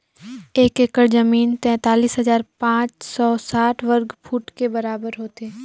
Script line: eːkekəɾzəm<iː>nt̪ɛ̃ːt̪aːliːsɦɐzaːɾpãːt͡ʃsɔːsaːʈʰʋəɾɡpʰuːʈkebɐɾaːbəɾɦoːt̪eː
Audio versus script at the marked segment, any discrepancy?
no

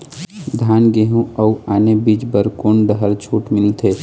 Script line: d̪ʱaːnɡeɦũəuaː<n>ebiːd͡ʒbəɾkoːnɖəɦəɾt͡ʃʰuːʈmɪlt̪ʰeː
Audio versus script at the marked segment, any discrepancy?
no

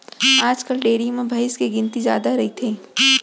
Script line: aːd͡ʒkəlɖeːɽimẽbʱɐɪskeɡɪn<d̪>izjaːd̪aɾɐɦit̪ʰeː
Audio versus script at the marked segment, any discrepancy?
yes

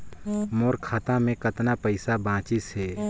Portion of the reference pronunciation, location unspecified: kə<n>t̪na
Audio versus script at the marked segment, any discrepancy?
yes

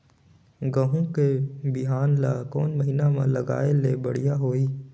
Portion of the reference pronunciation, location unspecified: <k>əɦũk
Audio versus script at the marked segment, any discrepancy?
yes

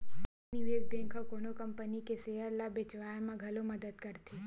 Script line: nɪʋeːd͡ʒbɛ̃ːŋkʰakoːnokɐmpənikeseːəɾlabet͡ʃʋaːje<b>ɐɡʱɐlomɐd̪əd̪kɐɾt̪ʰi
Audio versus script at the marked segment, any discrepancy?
yes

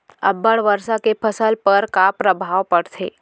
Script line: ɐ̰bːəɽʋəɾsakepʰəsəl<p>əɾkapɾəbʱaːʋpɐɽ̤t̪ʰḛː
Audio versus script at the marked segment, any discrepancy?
no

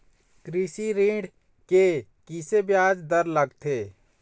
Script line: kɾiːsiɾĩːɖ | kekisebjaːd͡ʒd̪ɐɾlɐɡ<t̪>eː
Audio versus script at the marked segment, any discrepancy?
yes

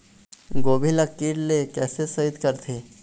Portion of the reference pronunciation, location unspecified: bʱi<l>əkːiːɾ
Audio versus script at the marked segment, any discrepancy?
no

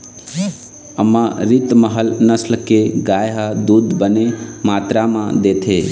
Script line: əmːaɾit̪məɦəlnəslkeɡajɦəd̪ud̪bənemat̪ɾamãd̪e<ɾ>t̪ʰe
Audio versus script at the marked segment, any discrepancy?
yes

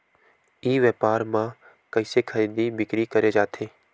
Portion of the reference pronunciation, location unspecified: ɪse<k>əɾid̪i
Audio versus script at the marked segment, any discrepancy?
yes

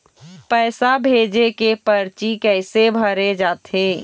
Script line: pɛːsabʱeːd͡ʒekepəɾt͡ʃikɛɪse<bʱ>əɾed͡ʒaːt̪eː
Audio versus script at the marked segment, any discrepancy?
no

